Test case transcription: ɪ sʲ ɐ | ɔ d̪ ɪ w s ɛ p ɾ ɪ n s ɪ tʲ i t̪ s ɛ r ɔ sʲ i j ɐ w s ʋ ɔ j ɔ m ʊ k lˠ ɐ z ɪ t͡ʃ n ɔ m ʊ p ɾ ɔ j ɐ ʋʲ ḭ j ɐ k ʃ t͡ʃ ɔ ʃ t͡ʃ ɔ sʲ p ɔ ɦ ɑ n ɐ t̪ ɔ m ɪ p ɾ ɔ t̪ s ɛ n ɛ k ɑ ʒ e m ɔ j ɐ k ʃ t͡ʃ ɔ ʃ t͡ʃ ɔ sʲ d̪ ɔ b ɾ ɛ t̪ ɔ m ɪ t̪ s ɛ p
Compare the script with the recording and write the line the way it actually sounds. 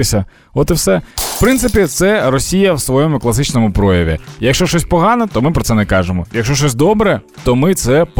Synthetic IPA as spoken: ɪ sʲ ɐ | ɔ t̪ ɪ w s ɛ p ɾ ɪ n s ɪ pʲ i t̪ s ɛ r ɔ sʲ i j ɐ w s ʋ ɔ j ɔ m ʊ k lˠ ɐ s ɪ t͡ʃ n ɔ m ʊ p ɾ ɔ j ɐ ʋʲ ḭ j ɐ k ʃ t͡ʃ ɔ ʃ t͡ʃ ɔ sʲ p ɔ ɦ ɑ n ɐ t̪ ɔ m ɪ p ɾ ɔ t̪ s ɛ n ɛ k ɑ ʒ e m ɔ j ɐ k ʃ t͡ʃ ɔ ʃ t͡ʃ ɔ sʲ d̪ ɔ b ɾ ɛ t̪ ɔ m ɪ t̪ s ɛ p